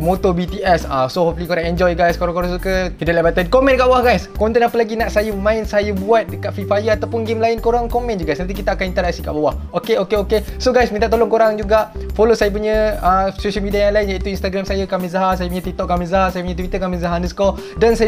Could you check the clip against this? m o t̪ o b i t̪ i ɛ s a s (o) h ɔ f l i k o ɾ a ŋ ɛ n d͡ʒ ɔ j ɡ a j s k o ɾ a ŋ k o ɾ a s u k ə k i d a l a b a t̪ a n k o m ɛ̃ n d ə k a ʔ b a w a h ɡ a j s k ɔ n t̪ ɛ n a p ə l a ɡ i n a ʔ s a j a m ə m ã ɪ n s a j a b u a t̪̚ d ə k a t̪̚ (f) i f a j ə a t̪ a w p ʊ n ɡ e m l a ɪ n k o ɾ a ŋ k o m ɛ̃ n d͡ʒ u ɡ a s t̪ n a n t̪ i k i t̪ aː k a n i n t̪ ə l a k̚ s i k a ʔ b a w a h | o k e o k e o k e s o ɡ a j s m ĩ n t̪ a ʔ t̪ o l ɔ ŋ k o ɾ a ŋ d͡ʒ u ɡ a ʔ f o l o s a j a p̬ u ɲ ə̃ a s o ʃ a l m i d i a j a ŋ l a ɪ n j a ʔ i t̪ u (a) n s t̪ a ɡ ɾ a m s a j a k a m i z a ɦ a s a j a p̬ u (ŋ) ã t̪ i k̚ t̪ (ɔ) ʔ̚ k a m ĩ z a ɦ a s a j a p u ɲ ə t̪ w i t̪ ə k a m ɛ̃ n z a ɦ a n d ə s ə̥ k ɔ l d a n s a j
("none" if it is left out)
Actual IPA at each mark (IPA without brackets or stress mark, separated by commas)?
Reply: o, f, i, ɲ, ɔ